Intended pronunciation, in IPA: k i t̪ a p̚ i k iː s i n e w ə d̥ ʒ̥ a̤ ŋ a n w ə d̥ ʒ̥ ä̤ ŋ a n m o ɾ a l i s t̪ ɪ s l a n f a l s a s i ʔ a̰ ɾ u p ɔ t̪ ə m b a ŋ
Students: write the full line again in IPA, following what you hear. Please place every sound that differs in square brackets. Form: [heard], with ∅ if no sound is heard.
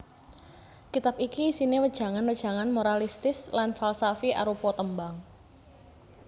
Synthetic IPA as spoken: k i t̪ a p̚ i k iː s i n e w ə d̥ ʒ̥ a̤ ŋ a n w ə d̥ ʒ̥ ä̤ ŋ a n m o ɾ a l i s t̪ ɪ s l a n f a l s a [f] i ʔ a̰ ɾ u p ɔ t̪ ə m b a ŋ